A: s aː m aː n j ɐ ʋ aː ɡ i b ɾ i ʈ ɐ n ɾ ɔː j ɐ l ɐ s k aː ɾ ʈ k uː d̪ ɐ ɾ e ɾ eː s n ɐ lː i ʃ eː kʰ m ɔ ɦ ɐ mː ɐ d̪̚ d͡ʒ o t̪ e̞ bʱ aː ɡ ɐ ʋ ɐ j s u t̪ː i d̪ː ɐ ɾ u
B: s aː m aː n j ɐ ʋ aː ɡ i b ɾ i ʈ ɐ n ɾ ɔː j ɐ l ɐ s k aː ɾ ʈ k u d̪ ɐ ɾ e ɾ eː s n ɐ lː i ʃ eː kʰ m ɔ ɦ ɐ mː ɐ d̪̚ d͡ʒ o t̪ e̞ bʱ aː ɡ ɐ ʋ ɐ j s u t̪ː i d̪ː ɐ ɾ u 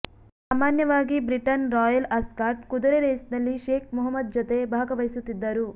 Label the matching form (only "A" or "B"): B